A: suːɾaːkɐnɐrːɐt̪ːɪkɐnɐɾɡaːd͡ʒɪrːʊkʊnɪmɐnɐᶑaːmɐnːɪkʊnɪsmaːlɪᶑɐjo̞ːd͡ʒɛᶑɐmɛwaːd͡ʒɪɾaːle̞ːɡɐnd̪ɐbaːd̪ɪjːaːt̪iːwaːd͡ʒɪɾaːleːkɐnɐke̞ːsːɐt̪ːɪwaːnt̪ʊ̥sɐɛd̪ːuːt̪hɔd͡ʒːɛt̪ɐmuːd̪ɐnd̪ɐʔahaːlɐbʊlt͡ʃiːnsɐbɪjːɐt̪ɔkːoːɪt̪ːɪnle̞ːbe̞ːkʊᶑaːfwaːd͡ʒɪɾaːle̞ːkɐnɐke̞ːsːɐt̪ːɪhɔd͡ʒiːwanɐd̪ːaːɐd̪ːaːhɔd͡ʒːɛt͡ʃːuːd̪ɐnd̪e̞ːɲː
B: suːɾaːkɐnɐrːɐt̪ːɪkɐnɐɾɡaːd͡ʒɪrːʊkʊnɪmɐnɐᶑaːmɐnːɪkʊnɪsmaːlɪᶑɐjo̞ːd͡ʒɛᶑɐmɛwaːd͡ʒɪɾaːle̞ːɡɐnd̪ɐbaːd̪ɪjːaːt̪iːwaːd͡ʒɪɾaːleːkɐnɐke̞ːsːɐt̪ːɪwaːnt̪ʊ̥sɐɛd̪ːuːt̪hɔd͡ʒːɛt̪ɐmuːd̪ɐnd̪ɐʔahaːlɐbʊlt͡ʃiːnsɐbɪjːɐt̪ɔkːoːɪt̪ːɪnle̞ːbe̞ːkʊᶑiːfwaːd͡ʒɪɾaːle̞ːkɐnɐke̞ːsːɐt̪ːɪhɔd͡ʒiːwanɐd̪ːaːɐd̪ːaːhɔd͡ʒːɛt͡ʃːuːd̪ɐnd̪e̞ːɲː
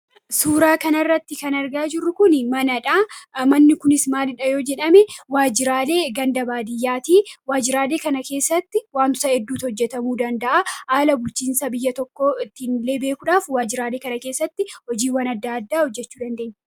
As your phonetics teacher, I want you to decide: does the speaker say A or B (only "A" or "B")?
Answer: A